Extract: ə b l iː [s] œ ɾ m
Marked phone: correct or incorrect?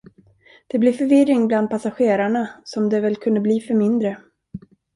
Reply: incorrect